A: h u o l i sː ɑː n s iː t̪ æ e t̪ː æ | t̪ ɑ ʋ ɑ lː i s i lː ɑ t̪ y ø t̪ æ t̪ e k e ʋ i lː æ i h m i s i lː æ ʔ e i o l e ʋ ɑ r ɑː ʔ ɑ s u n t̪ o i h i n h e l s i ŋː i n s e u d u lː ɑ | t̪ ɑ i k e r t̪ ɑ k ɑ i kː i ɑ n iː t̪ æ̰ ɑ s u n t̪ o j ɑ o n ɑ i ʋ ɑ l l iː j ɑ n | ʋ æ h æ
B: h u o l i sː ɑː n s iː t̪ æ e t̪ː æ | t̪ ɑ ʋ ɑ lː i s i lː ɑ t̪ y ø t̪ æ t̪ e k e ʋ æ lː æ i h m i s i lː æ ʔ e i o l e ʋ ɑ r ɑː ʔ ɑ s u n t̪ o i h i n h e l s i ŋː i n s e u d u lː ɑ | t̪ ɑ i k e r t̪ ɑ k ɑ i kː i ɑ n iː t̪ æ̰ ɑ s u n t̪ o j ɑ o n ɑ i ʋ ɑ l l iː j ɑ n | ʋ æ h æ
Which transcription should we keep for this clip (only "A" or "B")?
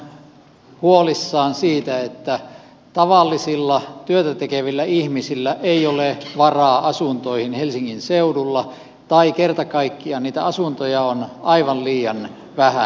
A